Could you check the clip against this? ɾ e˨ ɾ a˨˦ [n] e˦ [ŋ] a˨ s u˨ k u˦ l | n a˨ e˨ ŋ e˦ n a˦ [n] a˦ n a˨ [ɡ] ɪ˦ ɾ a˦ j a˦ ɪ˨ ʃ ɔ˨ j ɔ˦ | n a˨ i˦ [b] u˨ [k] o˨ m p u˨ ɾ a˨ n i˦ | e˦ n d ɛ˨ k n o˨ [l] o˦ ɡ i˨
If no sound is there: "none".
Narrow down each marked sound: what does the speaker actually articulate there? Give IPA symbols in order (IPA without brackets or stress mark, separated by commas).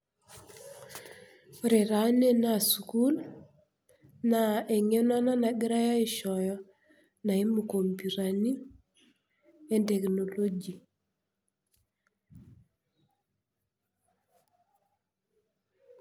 n, n, n, ɡ, m, k, l